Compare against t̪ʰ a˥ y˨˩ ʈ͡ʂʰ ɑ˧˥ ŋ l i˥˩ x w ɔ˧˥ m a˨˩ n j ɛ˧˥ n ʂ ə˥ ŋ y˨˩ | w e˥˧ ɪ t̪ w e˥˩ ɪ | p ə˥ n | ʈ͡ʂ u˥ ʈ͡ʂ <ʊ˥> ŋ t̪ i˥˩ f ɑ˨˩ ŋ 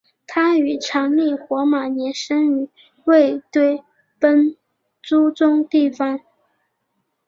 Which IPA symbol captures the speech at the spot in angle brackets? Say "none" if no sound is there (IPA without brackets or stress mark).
ʊ˥